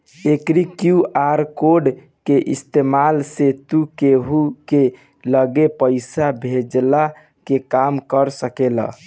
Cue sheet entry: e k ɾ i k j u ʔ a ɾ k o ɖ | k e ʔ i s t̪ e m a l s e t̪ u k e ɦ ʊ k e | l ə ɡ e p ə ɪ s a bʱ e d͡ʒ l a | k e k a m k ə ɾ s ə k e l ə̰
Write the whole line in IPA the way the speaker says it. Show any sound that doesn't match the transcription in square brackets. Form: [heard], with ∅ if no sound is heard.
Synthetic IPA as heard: e k ɾ i k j u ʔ a ɾ k o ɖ | k e ʔ i s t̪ e m a l s e t̪ u k e ɦ [u] k e | l ə ɡ e p ə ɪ s a bʱ e d͡ʒ l a | k e k a m k ə ɾ s ə k e l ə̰